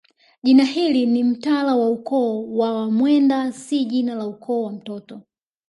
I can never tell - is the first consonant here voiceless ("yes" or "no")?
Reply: no